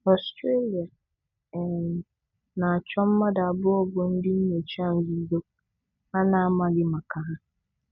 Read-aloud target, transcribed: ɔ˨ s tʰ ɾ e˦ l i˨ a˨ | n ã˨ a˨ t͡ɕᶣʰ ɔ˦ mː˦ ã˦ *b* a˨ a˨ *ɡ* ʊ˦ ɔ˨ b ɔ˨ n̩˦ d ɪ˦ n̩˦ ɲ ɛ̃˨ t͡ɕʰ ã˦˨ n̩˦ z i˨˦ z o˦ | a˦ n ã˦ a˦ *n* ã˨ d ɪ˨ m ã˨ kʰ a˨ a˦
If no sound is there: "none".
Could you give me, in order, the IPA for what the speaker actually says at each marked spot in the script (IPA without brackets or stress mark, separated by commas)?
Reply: d, b, m